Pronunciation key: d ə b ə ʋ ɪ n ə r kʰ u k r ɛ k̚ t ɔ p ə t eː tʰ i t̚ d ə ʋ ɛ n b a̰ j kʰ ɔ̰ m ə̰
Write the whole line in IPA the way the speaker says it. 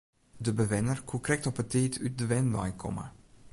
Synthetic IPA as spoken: d ə b ə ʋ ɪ n ə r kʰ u k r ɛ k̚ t ɔ p ə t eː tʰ y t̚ d ə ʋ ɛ n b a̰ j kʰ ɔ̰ m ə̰